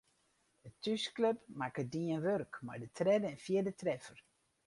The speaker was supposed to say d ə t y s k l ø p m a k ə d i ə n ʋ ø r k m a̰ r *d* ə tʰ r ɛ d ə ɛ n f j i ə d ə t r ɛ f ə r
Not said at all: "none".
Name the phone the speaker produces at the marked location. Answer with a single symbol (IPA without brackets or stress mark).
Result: d